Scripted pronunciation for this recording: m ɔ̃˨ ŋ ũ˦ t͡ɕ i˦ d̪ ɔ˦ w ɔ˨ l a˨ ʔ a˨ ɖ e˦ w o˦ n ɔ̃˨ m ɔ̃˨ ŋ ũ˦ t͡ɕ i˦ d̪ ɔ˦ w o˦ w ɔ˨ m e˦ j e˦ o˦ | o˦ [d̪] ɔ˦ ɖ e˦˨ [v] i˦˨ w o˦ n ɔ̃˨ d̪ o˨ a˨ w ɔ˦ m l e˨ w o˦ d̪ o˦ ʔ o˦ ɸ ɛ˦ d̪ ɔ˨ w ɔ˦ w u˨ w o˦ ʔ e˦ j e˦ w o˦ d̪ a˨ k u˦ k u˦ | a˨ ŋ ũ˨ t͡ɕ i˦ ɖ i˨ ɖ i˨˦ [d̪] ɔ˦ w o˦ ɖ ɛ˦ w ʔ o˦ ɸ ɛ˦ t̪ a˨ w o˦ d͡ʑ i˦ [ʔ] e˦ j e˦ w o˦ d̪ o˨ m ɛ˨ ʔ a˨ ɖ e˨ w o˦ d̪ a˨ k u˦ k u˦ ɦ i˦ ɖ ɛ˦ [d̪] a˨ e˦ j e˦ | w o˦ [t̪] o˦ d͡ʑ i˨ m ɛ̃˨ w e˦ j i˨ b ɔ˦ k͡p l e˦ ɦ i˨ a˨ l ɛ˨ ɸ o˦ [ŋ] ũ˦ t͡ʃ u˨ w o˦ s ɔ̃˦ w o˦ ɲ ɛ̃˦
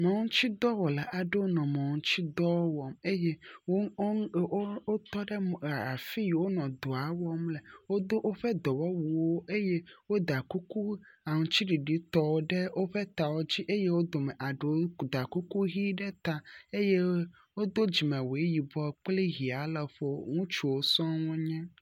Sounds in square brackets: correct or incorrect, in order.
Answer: incorrect: t̪, incorrect: f, incorrect: t̪, correct, incorrect: t̪, incorrect: d̪, correct

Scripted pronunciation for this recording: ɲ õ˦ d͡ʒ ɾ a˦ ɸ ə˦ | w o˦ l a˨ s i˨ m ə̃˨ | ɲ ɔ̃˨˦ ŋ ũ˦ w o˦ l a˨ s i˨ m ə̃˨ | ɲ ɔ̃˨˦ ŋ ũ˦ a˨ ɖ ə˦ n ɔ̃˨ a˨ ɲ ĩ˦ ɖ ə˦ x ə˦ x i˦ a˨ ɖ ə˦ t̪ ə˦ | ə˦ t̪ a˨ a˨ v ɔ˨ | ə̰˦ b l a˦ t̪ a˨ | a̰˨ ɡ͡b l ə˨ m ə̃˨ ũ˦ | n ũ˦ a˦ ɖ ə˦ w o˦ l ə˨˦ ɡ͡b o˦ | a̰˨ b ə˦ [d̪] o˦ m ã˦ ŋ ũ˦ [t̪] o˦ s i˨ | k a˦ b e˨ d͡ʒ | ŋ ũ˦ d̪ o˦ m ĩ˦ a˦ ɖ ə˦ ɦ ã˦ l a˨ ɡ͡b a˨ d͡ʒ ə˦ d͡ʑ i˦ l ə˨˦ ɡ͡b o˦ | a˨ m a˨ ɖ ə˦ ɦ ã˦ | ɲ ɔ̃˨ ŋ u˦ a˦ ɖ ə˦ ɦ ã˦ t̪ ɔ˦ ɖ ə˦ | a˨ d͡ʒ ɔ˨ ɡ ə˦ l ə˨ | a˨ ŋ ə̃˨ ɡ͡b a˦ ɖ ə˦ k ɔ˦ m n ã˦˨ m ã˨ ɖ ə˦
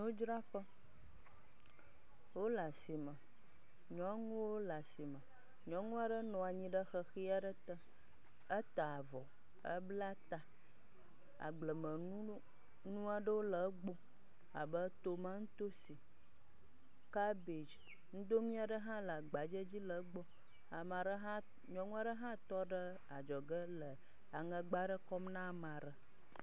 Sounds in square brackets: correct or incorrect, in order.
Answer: incorrect: t̪, correct

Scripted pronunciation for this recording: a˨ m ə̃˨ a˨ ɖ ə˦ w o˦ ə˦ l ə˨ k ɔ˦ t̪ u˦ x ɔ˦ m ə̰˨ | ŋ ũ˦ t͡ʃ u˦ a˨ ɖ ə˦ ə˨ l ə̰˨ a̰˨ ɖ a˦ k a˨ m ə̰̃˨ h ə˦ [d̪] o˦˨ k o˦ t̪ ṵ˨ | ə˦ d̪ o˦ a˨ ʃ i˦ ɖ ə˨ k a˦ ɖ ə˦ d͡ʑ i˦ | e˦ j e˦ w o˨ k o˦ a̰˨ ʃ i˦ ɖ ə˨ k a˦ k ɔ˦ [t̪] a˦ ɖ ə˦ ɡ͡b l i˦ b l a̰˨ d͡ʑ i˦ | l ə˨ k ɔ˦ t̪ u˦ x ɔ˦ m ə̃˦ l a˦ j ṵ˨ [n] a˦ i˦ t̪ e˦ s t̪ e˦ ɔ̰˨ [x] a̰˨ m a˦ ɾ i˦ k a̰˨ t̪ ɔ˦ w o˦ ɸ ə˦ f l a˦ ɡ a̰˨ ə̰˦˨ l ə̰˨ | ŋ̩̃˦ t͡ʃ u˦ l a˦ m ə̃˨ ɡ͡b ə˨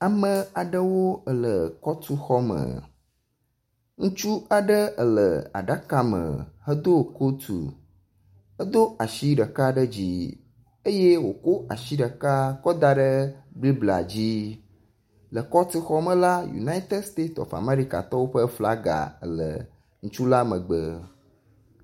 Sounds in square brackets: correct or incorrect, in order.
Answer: correct, incorrect: d̪, correct, incorrect: f

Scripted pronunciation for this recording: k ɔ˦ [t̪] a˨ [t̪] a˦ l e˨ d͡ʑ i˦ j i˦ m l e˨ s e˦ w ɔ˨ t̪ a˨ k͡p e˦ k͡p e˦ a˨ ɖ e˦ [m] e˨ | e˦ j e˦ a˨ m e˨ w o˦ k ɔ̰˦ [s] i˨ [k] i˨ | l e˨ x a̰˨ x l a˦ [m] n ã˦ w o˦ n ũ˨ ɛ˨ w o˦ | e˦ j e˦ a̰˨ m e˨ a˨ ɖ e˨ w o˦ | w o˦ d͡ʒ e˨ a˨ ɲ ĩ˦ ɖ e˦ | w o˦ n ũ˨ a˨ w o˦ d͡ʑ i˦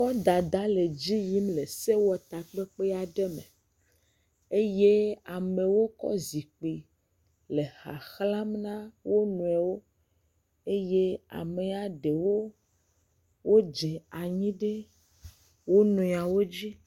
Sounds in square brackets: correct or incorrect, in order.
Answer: incorrect: d̪, incorrect: d̪, correct, incorrect: z, incorrect: k͡p, correct

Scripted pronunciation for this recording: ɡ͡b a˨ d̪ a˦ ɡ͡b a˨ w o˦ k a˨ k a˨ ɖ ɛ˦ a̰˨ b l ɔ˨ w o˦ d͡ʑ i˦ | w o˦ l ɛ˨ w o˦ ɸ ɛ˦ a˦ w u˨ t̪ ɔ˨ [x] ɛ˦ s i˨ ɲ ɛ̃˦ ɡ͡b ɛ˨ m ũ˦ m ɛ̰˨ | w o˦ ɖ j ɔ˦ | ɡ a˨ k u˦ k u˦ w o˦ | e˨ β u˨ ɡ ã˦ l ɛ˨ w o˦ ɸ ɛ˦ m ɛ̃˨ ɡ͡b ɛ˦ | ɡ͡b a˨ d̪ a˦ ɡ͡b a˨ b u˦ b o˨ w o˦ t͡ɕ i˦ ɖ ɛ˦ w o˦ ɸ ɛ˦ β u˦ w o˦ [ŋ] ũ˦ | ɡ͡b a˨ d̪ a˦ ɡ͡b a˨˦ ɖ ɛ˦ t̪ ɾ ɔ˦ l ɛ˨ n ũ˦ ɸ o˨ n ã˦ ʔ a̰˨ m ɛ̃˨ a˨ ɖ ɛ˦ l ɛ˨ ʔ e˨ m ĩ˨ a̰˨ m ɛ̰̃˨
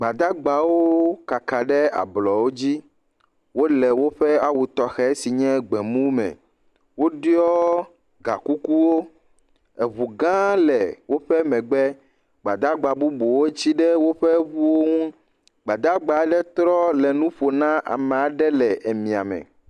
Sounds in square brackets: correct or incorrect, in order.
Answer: correct, correct

